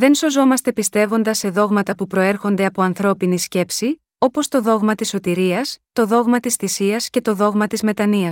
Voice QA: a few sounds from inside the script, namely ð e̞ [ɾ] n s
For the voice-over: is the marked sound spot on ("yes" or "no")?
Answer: no